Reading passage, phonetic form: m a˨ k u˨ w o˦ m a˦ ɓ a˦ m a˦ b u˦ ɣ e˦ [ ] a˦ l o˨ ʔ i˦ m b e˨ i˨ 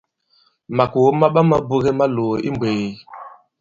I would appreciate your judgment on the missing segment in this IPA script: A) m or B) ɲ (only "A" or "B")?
A